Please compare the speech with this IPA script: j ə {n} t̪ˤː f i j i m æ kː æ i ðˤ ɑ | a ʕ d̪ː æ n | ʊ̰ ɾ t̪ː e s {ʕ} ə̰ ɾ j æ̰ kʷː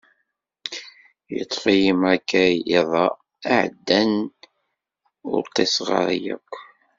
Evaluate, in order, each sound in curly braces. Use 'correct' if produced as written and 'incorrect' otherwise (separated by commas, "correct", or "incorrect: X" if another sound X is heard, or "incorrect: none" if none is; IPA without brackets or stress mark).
incorrect: none, incorrect: ʁ